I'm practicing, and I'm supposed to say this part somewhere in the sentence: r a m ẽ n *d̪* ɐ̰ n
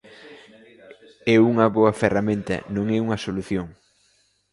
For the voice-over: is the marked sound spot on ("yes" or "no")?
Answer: no